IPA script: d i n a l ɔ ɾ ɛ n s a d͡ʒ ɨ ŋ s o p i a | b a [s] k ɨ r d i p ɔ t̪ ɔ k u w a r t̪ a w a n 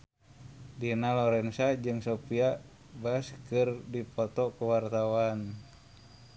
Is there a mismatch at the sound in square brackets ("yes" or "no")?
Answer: no